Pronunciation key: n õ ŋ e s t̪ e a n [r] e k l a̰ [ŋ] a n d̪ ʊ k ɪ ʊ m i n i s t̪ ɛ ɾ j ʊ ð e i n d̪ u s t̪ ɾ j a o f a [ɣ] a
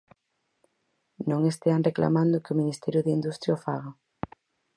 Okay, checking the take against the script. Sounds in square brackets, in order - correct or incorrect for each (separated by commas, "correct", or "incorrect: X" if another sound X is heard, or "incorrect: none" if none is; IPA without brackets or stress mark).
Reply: correct, incorrect: m, correct